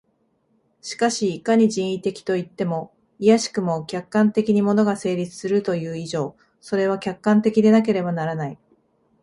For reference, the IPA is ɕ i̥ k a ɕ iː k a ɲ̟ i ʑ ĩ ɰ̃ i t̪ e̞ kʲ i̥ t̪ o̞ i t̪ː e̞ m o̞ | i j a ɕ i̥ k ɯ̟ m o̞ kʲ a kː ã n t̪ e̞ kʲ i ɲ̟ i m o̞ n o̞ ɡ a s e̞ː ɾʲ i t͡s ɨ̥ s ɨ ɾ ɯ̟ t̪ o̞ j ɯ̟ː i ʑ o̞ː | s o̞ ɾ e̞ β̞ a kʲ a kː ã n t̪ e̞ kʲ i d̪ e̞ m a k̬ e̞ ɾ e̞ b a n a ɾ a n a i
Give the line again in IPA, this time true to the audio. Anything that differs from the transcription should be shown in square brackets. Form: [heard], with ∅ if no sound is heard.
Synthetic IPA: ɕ i̥ k a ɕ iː k a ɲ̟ i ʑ ĩ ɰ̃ i t̪ e̞ kʲ i̥ t̪ o̞ i t̪ː e̞ m o̞ | i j a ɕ i̥ k ɯ̟ m o̞ kʲ a kː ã n t̪ e̞ kʲ i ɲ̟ i m o̞ n o̞ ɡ a s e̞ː ɾʲ i t͡s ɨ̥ s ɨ ɾ ɯ̟ t̪ o̞ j ɯ̟ː i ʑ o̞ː | s o̞ ɾ e̞ β̞ a kʲ a kː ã n t̪ e̞ kʲ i d̪ e̞ [n] a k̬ e̞ ɾ e̞ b a n a ɾ a n a i

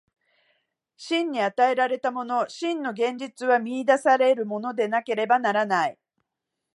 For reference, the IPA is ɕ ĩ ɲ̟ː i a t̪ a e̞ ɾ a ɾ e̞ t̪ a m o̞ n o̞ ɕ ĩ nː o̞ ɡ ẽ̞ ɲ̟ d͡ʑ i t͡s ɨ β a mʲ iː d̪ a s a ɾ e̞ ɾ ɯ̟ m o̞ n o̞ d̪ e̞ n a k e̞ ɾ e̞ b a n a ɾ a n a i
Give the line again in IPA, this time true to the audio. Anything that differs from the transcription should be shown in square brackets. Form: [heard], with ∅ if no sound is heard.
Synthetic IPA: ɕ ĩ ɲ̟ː i a t̪ a e̞ ɾ a ɾ e̞ t̪ a m o̞ n o̞ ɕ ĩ nː o̞ ɡ ẽ̞ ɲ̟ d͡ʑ i t͡s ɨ β a mʲ iː d̪ a s a ɾ e̞ ɾ ɯ̟ m o̞ n o̞ d̪ e̞ n a k e̞ ɾ e̞ b a n a ɾ a n a i

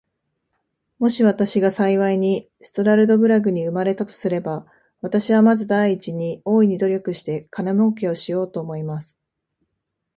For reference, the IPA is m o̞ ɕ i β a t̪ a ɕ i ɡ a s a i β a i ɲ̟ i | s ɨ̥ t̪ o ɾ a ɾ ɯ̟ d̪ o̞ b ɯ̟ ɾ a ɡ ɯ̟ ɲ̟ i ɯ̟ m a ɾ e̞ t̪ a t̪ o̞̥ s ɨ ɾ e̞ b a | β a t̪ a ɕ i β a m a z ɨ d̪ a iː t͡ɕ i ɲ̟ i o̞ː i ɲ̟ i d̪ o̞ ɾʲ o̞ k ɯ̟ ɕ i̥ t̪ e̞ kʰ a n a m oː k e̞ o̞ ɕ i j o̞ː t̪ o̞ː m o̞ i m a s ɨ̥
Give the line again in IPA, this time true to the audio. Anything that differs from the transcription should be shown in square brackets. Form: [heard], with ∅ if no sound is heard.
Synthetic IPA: m o̞ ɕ i β a t̪ a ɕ i ɡ a s a i β a i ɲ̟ i | s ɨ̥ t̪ o ɾ a ɾ ɯ̟ d̪ o̞ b ɯ̟ ɾ a ɡ ɯ̟ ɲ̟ i ɯ̟ m a ɾ e̞ t̪ a t̪ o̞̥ s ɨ ɾ e̞ b a | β a t̪ a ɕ i β a m a z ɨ d̪ a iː t͡ɕ i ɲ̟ i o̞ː i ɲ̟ i d̪ o̞ ɾʲ o̞ k ɯ̟ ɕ i̥ t̪ e̞ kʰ a n a m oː k e̞ o̞ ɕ i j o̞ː t̪ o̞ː m o̞ i m a s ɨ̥

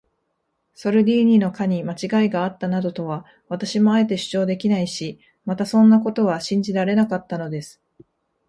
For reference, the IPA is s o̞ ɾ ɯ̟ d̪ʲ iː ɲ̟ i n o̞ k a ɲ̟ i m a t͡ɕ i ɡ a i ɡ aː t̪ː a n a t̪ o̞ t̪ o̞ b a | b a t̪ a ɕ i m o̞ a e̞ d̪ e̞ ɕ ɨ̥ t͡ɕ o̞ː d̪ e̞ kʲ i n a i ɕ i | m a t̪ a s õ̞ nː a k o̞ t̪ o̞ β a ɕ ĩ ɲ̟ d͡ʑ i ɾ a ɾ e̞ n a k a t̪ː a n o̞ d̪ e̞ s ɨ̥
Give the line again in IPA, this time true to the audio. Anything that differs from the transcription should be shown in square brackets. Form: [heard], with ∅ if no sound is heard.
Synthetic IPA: s o̞ ɾ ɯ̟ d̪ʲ iː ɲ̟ i n o̞ k a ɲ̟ i m a t͡ɕ i ɡ a i ɡ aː t̪ː a n a [d̪] o̞ t̪ o̞ [β] a | [β] a t̪ a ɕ i m o̞ a e̞ [t̪] e̞ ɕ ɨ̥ t͡ɕ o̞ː d̪ e̞ kʲ i n a i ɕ i | m a t̪ a s õ̞ nː a k o̞ t̪ o̞ β a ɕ ĩ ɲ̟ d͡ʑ i ɾ a ɾ e̞ n a k a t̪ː a n o̞ d̪ e̞ s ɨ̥

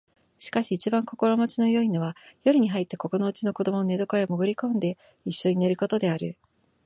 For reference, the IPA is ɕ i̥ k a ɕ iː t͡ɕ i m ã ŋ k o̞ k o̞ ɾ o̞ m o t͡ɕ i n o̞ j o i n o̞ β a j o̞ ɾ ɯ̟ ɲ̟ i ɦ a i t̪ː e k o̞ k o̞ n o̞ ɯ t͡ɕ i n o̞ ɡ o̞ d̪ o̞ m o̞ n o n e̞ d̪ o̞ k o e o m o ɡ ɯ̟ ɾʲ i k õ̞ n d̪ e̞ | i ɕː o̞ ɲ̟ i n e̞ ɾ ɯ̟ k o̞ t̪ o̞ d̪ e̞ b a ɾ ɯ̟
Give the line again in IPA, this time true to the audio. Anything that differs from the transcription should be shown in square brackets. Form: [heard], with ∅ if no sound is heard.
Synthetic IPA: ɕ i̥ k a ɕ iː t͡ɕ i [b] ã ŋ k o̞ k o̞ ɾ o̞ m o t͡ɕ i n o̞ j o i n o̞ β a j o̞ ɾ ɯ̟ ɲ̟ i ɦ a i t̪ː e k o̞ k o̞ n o̞ ɯ t͡ɕ i n o̞ [k] o̞ d̪ o̞ m o̞ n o n e̞ d̪ o̞ k o e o m o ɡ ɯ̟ ɾʲ i k õ̞ n d̪ e̞ | i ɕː o̞ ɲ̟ i n e̞ ɾ ɯ̟ k o̞ t̪ o̞ d̪ e̞ [∅] a ɾ ɯ̟

